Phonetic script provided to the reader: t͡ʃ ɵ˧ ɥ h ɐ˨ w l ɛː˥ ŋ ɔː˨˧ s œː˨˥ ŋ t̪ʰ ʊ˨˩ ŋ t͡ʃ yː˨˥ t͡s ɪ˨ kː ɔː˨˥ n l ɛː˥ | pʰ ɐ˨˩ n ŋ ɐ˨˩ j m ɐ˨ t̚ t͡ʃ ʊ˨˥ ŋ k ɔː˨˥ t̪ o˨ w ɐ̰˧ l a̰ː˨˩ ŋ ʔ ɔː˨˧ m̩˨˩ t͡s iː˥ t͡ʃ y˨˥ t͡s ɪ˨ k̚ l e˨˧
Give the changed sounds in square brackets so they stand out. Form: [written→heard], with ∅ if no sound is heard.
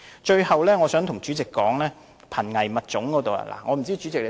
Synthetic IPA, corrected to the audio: t͡ʃ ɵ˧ ɥ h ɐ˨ w l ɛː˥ ŋ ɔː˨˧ s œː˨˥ ŋ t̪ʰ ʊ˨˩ ŋ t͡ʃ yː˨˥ t͡s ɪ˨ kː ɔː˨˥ [n→ŋ] l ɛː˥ | pʰ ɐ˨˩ n ŋ ɐ˨˩ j m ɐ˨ t̚ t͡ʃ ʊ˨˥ ŋ k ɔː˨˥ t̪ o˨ w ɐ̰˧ l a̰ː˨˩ ŋ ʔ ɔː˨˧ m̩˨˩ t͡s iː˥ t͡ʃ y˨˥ t͡s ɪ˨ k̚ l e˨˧

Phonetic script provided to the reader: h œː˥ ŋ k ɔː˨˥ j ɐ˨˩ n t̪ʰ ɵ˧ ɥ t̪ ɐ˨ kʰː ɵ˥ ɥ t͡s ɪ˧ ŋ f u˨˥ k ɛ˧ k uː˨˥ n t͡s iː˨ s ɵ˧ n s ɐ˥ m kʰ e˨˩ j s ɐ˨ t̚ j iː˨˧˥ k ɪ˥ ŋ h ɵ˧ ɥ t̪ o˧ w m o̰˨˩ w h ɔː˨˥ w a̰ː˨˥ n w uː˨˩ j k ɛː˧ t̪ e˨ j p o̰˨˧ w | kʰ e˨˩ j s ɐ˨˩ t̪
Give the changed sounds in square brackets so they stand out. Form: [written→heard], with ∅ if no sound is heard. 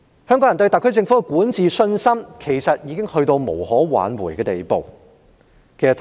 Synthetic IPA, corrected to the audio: h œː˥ ŋ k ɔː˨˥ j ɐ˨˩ n [t̪ʰ→t̪] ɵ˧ ɥ t̪ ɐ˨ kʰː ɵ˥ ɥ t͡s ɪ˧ ŋ f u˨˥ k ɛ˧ k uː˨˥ n t͡s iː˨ s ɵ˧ n s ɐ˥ m kʰ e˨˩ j s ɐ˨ t̚ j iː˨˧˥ k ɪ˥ ŋ h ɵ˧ ɥ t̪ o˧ w m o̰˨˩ w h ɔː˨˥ w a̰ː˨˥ n w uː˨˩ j k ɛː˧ t̪ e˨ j p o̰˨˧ w | kʰ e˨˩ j s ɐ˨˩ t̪

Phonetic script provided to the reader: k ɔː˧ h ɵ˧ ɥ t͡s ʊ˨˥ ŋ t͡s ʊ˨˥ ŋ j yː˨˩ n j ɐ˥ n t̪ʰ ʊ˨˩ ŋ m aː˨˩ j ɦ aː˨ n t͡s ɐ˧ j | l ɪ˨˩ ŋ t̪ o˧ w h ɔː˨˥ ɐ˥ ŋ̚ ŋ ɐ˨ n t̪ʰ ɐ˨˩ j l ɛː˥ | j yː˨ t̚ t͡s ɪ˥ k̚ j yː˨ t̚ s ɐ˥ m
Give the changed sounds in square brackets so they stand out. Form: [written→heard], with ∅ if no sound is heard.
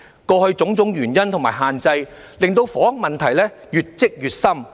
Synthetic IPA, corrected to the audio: k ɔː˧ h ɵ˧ ɥ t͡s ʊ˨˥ ŋ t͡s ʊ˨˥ ŋ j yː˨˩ n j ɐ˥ n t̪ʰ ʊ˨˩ ŋ m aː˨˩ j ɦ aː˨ n t͡s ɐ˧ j | l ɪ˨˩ ŋ t̪ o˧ w [h→f] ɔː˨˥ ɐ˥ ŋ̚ [ŋ→m] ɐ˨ n t̪ʰ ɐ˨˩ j l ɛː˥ | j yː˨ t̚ t͡s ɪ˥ k̚ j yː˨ t̚ s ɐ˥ m

